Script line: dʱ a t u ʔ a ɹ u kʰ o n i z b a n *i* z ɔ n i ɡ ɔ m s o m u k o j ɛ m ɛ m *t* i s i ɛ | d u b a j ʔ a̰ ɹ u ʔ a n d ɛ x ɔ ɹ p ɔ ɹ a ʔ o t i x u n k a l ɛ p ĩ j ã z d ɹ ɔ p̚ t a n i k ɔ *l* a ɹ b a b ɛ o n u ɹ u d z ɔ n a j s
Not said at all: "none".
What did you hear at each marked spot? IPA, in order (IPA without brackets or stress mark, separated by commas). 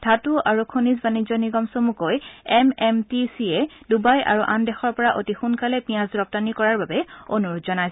i, t, ɹ